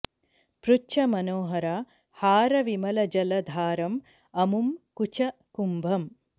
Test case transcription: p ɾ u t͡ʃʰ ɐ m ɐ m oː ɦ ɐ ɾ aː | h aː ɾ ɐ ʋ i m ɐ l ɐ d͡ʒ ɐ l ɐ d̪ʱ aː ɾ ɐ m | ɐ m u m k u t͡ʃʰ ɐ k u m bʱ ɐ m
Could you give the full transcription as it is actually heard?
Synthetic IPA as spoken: p ɾ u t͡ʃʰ ɐ m ɐ n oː ɦ ɐ ɾ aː | h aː ɾ ɐ ʋ i m ɐ l ɐ d͡ʒ ɐ l ɐ d̪ʱ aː ɾ ɐ m | ɐ m u m k u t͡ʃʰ ɐ k u m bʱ ɐ m